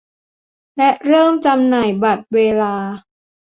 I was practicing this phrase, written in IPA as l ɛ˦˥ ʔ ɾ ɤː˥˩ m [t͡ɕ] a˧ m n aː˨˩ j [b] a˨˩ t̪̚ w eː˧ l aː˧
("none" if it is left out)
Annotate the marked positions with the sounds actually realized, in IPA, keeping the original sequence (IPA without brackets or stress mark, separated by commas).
t͡ɕ, b